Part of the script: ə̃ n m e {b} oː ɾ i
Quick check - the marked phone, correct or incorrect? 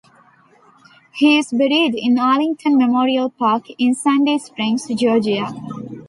incorrect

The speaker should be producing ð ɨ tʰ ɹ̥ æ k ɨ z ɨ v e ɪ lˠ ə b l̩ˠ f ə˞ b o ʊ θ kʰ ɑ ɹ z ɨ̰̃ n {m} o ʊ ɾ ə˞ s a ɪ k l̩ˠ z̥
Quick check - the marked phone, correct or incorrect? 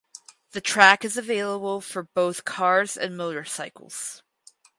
correct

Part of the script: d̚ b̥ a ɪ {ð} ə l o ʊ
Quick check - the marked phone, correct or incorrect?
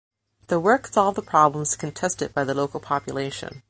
correct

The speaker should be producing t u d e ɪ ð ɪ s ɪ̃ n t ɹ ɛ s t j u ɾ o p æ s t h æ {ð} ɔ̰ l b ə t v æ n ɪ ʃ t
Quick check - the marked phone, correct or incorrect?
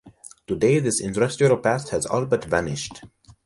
incorrect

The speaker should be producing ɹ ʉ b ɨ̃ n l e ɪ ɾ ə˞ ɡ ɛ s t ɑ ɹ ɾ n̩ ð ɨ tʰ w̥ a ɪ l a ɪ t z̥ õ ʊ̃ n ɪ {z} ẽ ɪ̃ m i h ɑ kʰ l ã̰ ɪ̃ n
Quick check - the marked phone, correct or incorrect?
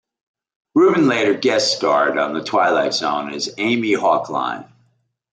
correct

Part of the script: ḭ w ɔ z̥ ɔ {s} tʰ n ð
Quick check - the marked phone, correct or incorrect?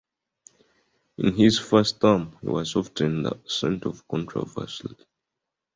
incorrect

